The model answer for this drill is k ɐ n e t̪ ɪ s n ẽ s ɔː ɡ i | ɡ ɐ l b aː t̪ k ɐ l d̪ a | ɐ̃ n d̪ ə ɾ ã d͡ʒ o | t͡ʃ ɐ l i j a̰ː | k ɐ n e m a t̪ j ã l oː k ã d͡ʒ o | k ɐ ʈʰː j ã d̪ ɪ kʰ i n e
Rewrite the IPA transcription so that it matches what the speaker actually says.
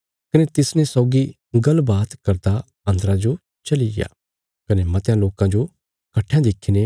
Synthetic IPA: k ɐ n e t̪ ɪ s n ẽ s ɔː ɡ i | ɡ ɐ l b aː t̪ k ɐ ɾ d̪ a | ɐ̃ n d̪ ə ɾ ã d͡ʒ o | t͡ʃ ɐ l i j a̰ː | k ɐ n e m ɐ t̪ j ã l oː k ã d͡ʒ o | k ɐ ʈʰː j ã d̪ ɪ kʰ i n e